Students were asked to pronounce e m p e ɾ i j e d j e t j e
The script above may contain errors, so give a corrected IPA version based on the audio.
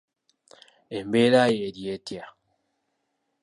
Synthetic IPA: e m b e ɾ a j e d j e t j a